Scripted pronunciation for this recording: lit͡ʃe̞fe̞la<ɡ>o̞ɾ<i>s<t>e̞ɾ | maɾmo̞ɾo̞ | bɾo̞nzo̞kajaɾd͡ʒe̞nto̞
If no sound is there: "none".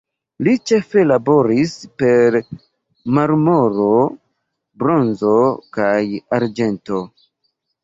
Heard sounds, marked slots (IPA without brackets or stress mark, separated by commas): b, i, p